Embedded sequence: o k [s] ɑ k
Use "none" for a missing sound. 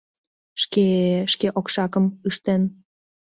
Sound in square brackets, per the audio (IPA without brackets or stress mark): ʃ